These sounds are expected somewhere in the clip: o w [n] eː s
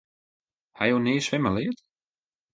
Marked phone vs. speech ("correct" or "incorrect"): correct